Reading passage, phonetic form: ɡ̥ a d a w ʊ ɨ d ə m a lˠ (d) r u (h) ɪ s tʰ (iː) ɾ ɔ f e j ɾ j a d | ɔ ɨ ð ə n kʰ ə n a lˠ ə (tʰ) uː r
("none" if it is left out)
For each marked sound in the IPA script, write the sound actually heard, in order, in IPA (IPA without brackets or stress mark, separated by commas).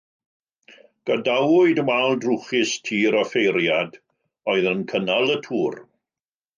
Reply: d, χ, iː, tʰ